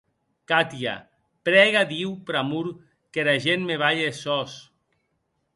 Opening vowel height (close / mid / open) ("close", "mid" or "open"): open